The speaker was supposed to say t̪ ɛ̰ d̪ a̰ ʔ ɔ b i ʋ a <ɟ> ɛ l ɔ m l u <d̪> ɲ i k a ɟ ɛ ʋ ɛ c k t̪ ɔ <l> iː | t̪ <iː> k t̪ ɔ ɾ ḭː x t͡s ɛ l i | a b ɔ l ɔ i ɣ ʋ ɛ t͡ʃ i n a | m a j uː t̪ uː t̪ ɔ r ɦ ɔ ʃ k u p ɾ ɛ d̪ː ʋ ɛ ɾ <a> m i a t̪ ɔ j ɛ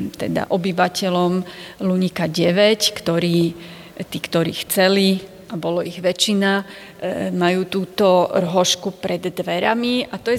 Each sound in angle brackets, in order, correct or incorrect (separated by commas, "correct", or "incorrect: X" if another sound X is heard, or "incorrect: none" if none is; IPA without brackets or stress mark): incorrect: c, incorrect: none, incorrect: ɾ, correct, correct